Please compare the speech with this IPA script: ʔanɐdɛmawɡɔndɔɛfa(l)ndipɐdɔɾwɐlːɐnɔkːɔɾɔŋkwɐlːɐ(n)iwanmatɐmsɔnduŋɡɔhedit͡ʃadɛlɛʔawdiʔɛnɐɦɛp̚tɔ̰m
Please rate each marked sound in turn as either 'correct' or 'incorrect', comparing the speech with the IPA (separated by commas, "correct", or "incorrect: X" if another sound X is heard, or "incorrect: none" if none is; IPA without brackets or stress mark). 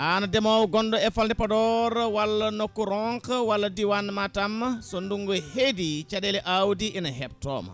correct, incorrect: d